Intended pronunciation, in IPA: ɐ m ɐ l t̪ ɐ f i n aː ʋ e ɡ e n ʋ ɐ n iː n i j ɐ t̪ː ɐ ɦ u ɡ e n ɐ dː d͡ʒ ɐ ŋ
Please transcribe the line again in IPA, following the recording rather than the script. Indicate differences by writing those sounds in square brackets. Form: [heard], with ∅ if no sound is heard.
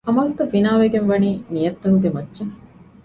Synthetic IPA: ɐ m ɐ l t̪ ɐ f i n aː ʋ e ɡ e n ʋ ɐ n iː n i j ɐ t̪ː ɐ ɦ u ɡ e [m] ɐ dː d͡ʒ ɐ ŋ

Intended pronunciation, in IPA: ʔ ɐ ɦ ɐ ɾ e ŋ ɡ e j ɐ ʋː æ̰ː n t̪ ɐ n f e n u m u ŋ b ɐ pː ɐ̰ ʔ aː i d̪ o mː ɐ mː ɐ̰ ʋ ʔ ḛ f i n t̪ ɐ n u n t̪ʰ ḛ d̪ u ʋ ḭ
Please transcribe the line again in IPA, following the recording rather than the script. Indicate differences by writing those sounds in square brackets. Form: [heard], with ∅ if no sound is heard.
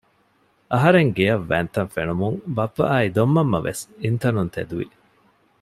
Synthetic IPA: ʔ ɐ ɦ ɐ ɾ e ŋ ɡ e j ɐ ʋː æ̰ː n t̪ ɐ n f e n u m u ŋ b ɐ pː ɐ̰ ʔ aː i d̪ o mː ɐ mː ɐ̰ ʋ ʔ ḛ [s] i n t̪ ɐ n u n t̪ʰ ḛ d̪ u ʋ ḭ

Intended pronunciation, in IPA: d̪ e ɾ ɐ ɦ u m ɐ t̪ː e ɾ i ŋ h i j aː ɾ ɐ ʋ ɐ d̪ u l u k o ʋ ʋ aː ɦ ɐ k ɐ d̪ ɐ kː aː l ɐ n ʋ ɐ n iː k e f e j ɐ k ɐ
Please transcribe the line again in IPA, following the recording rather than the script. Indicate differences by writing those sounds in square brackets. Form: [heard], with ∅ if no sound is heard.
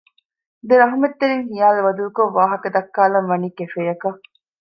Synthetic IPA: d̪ e ɾ ɐ ɦ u m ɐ t̪ː e ɾ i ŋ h i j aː [l] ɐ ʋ ɐ d̪ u l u k o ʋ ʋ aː ɦ ɐ k ɐ d̪ ɐ kː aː l ɐ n ʋ ɐ n iː k e f e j ɐ k ɐ

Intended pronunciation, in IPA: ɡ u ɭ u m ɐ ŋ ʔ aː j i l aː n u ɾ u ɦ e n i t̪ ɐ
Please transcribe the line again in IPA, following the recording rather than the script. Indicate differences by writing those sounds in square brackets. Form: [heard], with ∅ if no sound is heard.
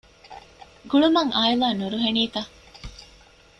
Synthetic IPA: ɡ u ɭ u m ɐ ŋ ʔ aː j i l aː n u ɾ u ɦ e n [iː] t̪ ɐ

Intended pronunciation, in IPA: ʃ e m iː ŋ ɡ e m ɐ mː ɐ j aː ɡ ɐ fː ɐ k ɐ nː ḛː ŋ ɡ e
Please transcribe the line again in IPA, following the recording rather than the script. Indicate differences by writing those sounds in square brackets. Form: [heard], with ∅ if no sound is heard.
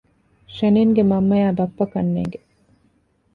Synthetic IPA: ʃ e [n] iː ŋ ɡ e m ɐ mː ɐ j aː [b] ɐ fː ɐ k ɐ nː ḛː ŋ ɡ e

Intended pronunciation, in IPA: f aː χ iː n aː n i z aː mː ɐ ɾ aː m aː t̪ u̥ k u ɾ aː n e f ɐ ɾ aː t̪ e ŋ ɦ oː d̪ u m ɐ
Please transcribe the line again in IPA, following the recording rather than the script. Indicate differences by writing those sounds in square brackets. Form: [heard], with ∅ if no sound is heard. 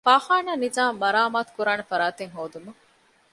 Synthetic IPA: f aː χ [aː] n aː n i z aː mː ɐ ɾ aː m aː t̪ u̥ k u ɾ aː n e f ɐ ɾ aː t̪ e ŋ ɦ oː d̪ u m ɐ

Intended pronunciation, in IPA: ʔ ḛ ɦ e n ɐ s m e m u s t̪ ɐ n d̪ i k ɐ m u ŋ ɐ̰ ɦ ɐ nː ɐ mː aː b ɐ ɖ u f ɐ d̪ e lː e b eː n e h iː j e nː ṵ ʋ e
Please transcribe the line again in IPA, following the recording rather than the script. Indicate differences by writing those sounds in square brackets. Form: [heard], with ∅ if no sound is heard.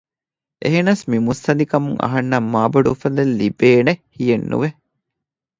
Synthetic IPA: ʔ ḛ ɦ e n ɐ s m [i] m u s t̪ ɐ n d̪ i k ɐ m u ŋ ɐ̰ ɦ ɐ nː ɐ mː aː b ɐ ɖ u f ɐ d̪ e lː [i] b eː n e h [i] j e nː ṵ ʋ e

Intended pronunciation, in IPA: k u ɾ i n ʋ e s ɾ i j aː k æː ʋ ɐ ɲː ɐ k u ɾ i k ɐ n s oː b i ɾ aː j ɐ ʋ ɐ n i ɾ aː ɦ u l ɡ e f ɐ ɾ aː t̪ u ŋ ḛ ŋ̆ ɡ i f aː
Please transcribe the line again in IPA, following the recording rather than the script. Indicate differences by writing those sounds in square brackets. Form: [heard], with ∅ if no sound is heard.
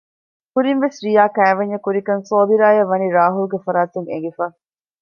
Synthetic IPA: k u ɾ i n ʋ e s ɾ i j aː k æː ʋ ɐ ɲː ɐ k u ɾ i k ɐ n s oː b i ɾ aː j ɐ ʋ ɐ n i ɾ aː ɦ u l ɡ e f ɐ ɾ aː t̪ u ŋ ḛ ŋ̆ ɡ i f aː

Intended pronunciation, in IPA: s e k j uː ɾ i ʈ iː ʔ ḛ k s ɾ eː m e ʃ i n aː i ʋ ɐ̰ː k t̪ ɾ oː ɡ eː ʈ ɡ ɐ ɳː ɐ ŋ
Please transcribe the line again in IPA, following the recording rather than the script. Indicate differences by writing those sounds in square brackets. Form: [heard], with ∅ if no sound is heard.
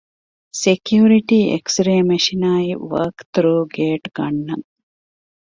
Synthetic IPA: s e k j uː ɾ i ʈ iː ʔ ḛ k s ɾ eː m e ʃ i n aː i ʋ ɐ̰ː k t̪ ɾ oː ɡ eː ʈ ɡ ɐ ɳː ɐ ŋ

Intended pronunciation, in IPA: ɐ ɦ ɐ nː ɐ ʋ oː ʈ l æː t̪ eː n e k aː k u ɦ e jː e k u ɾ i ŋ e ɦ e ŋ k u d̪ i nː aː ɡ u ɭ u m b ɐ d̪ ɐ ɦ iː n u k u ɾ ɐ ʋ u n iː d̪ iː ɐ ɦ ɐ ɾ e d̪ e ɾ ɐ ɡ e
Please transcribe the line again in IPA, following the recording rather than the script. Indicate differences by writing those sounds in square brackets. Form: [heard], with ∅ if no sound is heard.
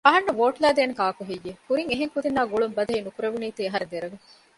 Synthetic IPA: ɐ ɦ ɐ nː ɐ ʋ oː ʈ l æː [d̪] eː n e k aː k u ɦ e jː e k u ɾ i ŋ e ɦ e ŋ k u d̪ i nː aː ɡ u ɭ u m b ɐ d̪ ɐ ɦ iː n u k u ɾ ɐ ʋ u n iː [t̪] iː ɐ ɦ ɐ ɾ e d̪ e ɾ ɐ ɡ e

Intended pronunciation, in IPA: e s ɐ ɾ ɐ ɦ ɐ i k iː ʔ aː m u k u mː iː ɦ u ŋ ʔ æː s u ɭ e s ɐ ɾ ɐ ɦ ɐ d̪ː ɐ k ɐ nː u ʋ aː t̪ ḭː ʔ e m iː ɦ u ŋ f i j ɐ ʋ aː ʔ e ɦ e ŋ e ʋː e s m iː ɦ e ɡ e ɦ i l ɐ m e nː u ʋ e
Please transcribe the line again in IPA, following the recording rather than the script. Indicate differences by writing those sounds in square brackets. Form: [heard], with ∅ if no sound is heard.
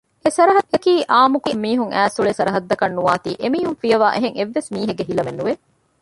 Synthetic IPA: e s ɐ ɾ ɐ ɦ ɐ [e] k iː ʔ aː m u k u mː iː ɦ u ŋ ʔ æː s u ɭ e s ɐ ɾ ɐ ɦ ɐ d̪ː ɐ k ɐ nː u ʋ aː t̪ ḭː ʔ e m iː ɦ u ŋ f i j ɐ ʋ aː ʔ e ɦ e ŋ e ʋː e s m iː ɦ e ɡ e ɦ i l ɐ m e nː u ʋ e

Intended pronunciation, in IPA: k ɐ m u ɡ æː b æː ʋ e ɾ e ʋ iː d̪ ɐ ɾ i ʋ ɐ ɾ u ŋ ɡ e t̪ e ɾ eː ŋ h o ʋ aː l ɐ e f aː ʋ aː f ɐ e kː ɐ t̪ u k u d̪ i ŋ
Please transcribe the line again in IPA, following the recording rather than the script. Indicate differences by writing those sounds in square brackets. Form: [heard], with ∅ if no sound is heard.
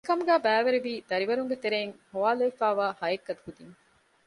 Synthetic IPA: k ɐ m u ɡ æː b æː ʋ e ɾ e ʋ iː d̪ ɐ ɾ i ʋ ɐ ɾ u ŋ ɡ e t̪ e ɾ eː ŋ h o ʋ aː l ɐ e f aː ʋ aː [h] ɐ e kː ɐ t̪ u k u d̪ i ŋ

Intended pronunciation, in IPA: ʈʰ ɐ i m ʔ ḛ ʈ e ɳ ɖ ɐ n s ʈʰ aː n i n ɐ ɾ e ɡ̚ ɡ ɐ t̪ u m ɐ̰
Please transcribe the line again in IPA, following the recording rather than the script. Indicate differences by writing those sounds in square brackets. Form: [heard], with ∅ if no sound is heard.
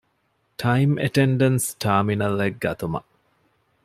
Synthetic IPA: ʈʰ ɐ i m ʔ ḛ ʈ e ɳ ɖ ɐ n s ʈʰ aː [m] i n ɐ [l] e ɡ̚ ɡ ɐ t̪ u m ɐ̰

